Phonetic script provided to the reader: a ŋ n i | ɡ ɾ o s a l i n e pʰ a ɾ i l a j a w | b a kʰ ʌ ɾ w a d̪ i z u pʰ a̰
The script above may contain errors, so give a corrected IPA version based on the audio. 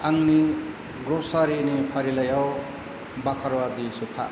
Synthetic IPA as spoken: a ŋ n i | ɡ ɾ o s a ɾ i n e pʰ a ɾ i l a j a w | b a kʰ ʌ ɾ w a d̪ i s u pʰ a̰